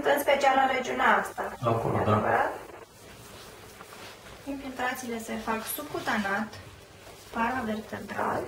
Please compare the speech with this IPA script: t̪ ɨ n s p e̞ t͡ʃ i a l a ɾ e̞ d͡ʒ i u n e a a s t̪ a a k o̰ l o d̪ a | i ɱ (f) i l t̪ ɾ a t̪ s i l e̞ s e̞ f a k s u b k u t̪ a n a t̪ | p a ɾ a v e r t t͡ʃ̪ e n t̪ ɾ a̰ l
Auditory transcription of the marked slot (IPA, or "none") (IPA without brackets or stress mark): f